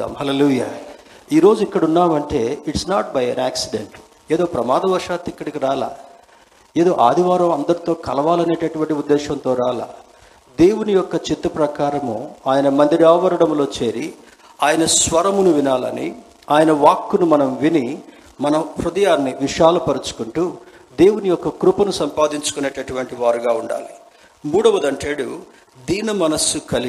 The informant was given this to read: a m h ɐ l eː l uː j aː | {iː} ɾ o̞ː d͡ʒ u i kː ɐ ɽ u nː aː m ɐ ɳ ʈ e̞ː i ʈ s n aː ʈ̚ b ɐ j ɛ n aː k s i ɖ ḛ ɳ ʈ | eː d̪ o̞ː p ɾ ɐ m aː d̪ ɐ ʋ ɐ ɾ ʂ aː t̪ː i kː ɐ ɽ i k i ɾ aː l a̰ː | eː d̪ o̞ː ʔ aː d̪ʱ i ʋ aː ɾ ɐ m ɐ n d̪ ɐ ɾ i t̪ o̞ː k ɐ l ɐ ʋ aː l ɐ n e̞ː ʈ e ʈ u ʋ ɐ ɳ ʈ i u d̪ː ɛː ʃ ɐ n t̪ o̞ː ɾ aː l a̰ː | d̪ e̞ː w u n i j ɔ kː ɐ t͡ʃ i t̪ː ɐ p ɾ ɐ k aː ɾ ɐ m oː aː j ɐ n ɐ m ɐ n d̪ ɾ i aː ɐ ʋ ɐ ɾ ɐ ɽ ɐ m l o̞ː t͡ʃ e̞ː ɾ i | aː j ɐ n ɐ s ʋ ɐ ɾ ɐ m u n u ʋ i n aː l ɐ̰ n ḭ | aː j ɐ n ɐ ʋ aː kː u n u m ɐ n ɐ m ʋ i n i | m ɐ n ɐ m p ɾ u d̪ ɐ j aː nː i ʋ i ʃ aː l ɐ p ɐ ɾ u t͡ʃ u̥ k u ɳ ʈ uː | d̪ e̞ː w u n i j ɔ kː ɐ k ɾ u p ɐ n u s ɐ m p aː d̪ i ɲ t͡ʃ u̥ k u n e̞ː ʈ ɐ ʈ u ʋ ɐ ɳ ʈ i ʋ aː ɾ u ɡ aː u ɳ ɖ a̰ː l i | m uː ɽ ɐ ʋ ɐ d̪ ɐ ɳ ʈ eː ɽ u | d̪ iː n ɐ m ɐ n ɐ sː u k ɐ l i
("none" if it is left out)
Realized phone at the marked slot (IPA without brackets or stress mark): iː